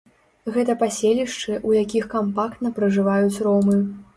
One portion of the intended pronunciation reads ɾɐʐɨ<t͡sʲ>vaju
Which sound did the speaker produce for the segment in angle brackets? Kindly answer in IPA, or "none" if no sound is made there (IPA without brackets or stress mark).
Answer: none